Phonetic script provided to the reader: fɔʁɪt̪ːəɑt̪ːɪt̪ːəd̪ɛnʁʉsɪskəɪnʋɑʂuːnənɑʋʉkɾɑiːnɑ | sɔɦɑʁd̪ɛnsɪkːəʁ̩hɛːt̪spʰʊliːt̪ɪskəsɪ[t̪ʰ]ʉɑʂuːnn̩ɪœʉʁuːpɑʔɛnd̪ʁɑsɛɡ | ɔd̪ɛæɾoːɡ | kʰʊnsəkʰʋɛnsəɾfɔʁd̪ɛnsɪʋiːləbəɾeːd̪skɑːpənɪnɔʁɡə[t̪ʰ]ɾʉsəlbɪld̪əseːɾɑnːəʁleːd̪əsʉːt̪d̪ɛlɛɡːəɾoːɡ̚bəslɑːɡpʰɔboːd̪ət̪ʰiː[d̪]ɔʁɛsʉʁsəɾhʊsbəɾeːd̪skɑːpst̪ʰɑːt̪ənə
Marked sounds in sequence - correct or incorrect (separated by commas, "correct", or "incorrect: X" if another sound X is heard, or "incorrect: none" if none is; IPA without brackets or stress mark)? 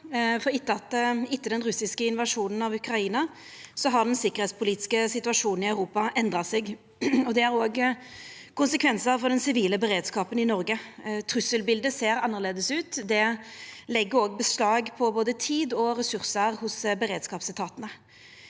incorrect: t̪, correct, correct